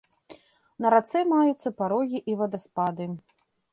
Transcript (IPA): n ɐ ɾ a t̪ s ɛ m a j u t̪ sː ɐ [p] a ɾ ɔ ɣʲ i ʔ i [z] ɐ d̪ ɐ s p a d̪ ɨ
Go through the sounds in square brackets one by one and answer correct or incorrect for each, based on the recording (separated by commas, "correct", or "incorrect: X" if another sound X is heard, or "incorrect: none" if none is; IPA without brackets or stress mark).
correct, incorrect: v